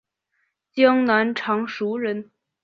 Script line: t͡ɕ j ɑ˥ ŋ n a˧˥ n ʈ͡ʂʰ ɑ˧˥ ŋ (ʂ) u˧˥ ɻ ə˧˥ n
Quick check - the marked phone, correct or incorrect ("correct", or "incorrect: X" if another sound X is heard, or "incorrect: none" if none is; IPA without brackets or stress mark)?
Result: correct